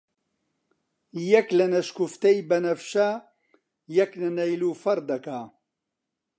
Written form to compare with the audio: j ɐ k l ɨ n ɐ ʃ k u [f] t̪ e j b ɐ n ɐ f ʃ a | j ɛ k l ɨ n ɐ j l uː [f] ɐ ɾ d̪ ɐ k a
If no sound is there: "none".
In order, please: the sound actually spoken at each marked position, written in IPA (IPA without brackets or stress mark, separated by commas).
f, f